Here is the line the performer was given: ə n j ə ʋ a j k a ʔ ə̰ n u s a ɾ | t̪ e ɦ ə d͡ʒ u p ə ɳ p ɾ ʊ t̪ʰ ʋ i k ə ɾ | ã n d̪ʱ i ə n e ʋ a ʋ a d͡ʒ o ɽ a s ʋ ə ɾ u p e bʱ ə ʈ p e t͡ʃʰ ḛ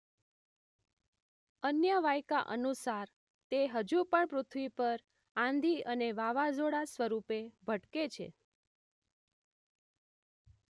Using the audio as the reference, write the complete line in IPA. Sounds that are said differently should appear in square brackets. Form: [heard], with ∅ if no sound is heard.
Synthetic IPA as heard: ə n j ə ʋ a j k a ʔ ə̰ n u s a ɾ | t̪ e ɦ ə d͡ʒ u p ə ɳ p ɾ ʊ t̪ʰ ʋ i [p] ə ɾ | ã n d̪ʱ i ə n e ʋ a ʋ a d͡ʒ o ɽ a s ʋ ə ɾ u p e bʱ ə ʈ [k] e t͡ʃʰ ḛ

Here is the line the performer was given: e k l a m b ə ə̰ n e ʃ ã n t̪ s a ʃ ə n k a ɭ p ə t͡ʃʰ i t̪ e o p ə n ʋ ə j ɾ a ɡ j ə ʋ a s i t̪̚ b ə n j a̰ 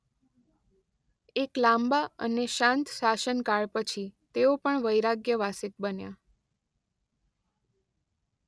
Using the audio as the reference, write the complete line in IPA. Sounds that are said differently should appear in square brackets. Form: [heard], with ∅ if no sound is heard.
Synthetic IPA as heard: e k l a m b [a] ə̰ n e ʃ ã n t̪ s a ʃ ə n k a ɭ p ə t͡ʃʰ i t̪ e o p ə [ɳ] ʋ ə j ɾ a ɡ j ə ʋ a s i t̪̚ b ə n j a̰

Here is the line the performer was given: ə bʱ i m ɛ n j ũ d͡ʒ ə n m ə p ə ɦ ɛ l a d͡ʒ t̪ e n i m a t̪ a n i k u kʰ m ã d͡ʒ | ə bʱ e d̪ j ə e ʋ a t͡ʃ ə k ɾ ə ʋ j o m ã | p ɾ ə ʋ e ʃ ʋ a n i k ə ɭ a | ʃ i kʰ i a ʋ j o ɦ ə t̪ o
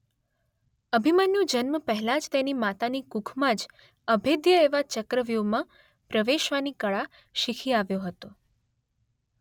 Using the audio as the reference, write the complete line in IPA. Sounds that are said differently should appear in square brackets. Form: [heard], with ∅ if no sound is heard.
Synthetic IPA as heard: ə bʱ i m [a] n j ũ d͡ʒ ə n m ə p ə ɦ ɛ l a d͡ʒ t̪ e n i m a t̪ a n i k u kʰ m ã d͡ʒ | ə bʱ e d̪ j ə e ʋ a t͡ʃ ə k ɾ ə ʋ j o m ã | p ɾ ə ʋ e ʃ ʋ a n i k ə ɭ a | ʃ i kʰ i a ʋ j o ɦ ə t̪ o

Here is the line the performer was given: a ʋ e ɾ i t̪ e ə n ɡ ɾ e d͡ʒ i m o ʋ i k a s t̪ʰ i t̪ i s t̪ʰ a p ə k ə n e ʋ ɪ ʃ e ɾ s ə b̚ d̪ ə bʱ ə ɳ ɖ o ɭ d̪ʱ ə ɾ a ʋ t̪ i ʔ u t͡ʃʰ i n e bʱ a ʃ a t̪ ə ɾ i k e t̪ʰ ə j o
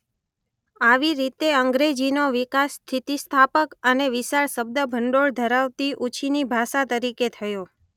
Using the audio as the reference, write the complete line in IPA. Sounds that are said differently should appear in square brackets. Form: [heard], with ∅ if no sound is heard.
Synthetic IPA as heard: a ʋ [i] ɾ i t̪ e ə [ŋ] ɡ ɾ e d͡ʒ i [n] o ʋ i k a s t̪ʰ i t̪ i s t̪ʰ a p ə k ə n e ʋ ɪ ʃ [a] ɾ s ə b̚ d̪ ə bʱ ə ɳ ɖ o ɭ d̪ʱ ə ɾ a ʋ t̪ i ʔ u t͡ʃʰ i n [i] bʱ a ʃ a t̪ ə ɾ i k e t̪ʰ ə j o

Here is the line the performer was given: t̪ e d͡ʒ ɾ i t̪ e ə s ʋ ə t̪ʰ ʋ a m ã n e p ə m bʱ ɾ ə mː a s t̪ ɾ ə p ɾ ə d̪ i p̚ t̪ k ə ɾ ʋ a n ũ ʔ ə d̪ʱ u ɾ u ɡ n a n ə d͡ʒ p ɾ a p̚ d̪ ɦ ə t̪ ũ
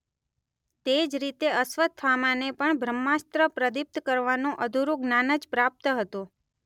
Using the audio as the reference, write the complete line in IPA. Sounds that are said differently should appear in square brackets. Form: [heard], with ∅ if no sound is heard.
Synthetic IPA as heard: t̪ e d͡ʒ ɾ i t̪ e ə s ʋ ə t̪ʰ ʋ a m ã n e p ə [ɳ] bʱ ɾ ə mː a s t̪ ɾ ə p ɾ ə d̪ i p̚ t̪ k ə ɾ ʋ a n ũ ʔ ə d̪ʱ u ɾ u ɡ n a n ə d͡ʒ p ɾ a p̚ [t̪] ɦ ə t̪ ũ

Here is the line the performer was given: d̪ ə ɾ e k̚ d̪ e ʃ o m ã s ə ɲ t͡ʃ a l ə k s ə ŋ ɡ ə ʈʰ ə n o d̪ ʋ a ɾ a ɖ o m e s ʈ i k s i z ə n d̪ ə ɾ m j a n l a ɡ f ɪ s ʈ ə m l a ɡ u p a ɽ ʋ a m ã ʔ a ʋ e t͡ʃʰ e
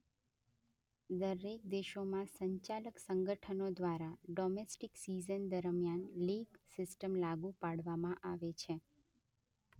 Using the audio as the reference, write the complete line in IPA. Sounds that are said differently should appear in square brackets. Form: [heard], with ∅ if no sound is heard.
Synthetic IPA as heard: d̪ ə ɾ e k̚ d̪ e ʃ o m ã s ə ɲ t͡ʃ a l ə k s ə ŋ ɡ ə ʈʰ ə n o d̪ ʋ a ɾ a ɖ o m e s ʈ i k s i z ə n d̪ ə ɾ m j a n l [i] ɡ [s] ɪ s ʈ ə m l a ɡ u p a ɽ ʋ a m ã ʔ a ʋ e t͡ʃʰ e

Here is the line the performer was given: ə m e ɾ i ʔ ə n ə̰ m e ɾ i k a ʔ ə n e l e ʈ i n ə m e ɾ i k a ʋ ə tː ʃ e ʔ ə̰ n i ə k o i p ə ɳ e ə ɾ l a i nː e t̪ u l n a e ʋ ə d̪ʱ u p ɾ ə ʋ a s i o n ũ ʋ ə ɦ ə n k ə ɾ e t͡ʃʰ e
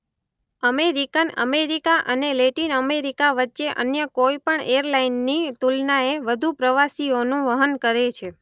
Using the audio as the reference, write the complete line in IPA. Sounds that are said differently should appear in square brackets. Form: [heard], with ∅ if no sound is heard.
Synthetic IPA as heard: ə m e ɾ i [k] ə n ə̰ m e ɾ i k a ʔ ə n e l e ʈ i n ə m e ɾ i k a ʋ ə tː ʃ e ʔ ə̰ n [j] ə k o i p ə ɳ e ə ɾ l a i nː [i] t̪ u l n a e ʋ ə d̪ʱ u p ɾ ə ʋ a s i o n ũ ʋ ə ɦ ə n k ə ɾ e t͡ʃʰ e

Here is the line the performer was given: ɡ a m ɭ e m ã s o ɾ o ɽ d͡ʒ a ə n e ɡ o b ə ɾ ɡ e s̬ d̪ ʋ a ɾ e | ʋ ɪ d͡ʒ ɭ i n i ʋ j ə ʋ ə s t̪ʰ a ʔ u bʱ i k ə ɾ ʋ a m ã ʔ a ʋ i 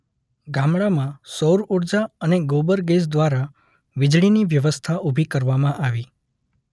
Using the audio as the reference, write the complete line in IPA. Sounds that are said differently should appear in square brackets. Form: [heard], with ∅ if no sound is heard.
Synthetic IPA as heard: ɡ a m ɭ [a] m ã s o ɾ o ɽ d͡ʒ a ə n e ɡ o b ə ɾ ɡ e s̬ d̪ ʋ a ɾ [a] | ʋ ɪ d͡ʒ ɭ i n i ʋ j ə ʋ ə s t̪ʰ a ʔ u bʱ i k ə ɾ ʋ a m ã ʔ a ʋ i

